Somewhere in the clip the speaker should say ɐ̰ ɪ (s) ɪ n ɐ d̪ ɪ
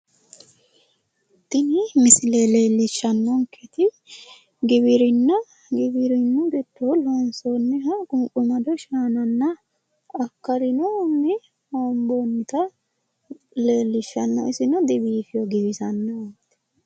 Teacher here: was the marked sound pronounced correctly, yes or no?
yes